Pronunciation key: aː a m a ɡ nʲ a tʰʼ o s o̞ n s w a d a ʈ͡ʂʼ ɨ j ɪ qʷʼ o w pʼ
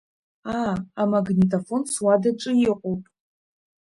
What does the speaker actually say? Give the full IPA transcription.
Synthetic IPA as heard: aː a m a ɡ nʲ i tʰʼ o f o̞ n s w a d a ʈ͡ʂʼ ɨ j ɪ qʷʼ o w pʼ